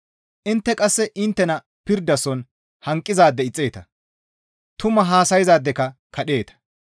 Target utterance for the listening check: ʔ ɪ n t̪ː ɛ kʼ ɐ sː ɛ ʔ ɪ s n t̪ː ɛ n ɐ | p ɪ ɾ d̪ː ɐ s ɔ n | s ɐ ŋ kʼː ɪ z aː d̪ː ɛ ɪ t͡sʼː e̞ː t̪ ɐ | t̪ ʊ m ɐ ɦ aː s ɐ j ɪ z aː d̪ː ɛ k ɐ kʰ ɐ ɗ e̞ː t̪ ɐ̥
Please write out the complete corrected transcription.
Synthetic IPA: ʔ ɪ n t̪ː ɛ kʼ ɐ sː ɛ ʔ ɪ n t̪ː ɛ n ɐ | p ɪ ɾ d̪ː ɐ s ɔ n | h ɐ ŋ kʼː ɪ z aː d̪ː ɛ ɪ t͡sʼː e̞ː t̪ ɐ | t̪ ʊ m ɐ ɦ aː s ɐ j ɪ z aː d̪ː ɛ k ɐ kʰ ɐ ɗ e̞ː t̪ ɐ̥